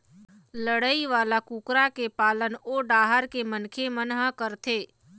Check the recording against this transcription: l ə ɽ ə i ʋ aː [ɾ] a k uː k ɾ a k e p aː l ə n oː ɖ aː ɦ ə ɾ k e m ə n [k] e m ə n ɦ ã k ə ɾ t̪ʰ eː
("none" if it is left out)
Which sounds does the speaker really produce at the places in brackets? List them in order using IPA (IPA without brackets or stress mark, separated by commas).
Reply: l, kʰ